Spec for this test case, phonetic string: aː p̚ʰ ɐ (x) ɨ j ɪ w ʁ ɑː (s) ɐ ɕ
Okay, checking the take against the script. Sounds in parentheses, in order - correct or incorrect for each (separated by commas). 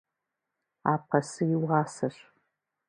incorrect, correct